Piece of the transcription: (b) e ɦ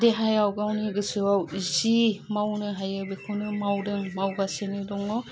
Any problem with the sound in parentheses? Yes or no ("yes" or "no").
yes